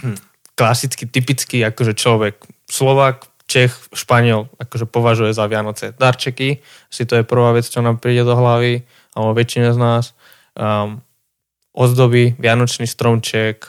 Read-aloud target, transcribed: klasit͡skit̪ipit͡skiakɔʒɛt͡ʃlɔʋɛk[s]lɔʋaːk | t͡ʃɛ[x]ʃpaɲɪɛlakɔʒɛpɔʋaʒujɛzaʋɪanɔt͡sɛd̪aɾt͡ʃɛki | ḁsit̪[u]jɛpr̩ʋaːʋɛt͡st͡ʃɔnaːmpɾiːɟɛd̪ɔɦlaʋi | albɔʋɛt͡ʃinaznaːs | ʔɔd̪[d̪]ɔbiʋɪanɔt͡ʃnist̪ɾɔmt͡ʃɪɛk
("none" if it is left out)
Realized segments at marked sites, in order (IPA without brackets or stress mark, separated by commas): s, x, ɔ, d̪